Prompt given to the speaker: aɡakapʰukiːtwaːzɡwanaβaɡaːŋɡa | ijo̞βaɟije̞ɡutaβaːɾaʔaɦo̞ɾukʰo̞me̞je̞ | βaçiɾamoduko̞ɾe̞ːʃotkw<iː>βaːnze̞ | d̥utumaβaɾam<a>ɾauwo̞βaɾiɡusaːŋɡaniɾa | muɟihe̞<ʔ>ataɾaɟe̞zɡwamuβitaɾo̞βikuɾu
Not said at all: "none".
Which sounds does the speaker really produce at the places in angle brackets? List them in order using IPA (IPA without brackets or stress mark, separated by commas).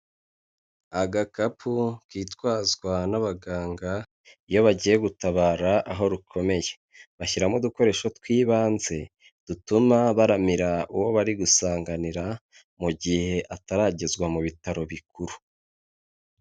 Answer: iː, i, ʔ